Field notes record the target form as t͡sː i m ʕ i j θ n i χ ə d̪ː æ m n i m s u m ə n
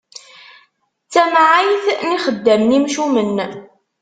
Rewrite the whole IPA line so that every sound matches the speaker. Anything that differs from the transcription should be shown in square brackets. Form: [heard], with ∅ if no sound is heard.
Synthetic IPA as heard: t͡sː [æ] m ʕ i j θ n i χ ə d̪ː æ m n i m [ʃ] u m ə n